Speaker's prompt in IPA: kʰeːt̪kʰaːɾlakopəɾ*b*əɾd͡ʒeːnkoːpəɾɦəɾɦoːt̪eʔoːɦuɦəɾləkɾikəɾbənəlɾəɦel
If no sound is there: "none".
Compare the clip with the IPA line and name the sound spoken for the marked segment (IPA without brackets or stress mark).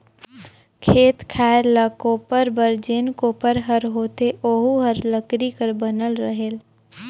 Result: b